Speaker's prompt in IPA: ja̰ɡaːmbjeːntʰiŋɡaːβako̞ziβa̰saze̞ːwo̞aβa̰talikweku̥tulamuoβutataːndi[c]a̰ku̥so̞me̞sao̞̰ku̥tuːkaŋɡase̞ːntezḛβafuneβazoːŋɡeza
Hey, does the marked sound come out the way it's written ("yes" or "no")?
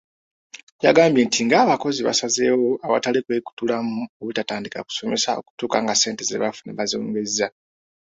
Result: no